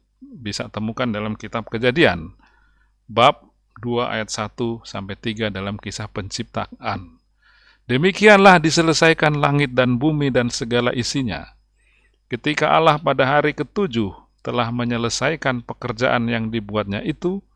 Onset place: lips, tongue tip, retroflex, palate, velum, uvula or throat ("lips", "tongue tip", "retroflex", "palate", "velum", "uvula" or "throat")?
lips